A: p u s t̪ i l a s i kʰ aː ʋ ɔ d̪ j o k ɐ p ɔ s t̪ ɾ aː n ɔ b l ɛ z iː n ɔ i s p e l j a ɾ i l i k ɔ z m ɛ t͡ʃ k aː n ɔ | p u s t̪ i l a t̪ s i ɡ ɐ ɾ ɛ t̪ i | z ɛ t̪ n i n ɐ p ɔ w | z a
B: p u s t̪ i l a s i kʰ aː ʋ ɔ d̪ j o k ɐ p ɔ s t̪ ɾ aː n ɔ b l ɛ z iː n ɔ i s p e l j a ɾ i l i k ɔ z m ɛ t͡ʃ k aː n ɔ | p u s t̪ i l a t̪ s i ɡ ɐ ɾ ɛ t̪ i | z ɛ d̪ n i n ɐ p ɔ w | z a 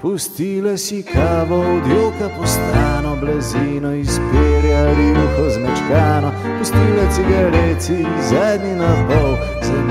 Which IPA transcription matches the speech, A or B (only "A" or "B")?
B